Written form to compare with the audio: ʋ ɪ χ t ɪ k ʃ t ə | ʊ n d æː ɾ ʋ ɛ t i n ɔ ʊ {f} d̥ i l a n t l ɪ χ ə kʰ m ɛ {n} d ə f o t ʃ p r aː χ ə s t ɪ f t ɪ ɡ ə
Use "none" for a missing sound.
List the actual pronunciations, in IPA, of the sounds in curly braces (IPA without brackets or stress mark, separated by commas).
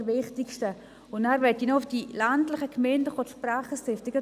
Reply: f, n